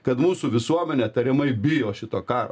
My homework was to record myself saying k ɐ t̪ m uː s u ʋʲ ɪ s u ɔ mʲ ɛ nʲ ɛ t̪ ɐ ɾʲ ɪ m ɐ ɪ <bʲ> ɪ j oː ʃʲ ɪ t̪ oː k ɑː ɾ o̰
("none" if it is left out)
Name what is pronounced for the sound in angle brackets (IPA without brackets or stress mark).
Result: bʲ